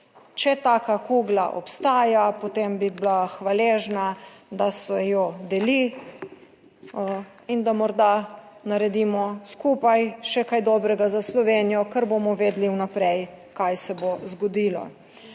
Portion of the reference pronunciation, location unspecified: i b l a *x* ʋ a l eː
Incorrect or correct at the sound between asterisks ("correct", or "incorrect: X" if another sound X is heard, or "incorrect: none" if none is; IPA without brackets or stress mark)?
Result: correct